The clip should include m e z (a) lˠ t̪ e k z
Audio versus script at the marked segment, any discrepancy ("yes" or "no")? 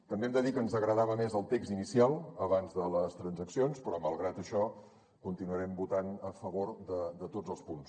yes